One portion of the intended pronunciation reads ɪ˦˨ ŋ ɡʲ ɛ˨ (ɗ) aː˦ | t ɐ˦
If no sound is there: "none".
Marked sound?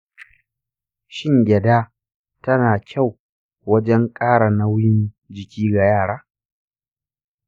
d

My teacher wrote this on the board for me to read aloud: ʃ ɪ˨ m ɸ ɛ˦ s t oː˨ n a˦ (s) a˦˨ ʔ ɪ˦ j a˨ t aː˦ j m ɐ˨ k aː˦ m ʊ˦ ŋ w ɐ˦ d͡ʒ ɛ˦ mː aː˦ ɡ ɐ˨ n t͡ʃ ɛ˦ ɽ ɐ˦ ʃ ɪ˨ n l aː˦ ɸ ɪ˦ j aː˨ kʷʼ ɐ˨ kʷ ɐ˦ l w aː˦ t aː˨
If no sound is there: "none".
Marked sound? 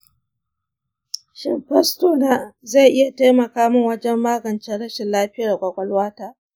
z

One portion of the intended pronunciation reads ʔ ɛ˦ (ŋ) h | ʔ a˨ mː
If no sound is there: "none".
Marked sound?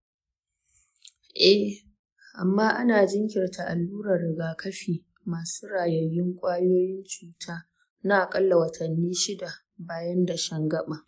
none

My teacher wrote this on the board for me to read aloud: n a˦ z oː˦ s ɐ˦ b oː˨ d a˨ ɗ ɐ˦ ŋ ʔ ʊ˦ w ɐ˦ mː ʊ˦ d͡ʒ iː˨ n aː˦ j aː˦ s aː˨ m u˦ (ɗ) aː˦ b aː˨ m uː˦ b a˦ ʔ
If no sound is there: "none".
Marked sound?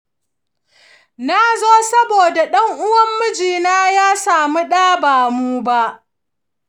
ɗ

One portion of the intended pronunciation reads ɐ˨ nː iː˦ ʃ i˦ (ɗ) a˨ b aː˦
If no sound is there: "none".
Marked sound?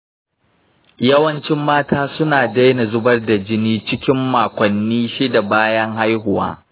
d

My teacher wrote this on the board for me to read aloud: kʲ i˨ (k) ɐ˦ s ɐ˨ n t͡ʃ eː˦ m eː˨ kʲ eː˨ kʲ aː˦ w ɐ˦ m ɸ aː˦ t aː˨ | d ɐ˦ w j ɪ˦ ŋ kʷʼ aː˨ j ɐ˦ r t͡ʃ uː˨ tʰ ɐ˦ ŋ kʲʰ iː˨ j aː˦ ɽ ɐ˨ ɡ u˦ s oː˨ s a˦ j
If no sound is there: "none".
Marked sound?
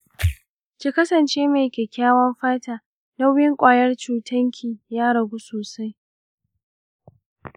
k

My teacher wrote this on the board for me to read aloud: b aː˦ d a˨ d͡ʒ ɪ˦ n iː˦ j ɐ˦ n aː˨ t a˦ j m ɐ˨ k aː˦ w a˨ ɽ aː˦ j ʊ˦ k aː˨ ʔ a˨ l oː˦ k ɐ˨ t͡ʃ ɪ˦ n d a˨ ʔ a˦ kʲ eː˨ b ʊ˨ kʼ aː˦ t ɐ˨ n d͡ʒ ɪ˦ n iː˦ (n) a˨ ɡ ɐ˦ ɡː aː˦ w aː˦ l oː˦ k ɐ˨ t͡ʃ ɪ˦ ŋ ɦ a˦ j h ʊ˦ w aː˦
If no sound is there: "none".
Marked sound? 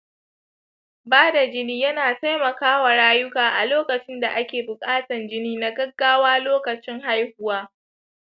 n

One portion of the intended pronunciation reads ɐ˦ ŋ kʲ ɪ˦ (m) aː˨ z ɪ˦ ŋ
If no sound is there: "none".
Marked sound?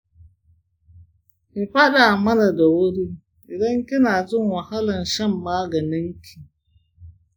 n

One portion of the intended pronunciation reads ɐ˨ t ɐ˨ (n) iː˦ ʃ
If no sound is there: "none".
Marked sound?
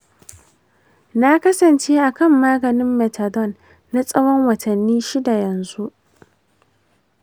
nː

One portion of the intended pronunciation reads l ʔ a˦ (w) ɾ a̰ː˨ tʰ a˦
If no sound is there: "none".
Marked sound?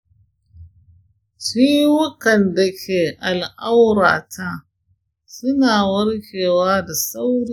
w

